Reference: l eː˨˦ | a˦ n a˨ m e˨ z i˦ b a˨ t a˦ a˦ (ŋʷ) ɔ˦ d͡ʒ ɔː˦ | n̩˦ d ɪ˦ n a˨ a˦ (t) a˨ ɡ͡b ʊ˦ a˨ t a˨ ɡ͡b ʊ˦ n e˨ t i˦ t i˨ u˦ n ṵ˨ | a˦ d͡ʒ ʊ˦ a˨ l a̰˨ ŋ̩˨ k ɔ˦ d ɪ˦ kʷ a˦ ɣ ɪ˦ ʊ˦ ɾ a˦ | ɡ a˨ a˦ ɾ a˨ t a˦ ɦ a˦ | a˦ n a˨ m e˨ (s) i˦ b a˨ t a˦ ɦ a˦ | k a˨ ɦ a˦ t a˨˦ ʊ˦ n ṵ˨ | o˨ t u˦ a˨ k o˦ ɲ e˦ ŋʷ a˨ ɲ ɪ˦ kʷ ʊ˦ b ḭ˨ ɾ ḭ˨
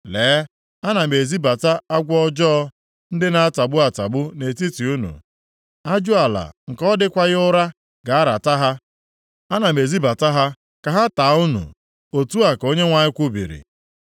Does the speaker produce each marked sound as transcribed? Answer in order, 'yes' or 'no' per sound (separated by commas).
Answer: no, yes, no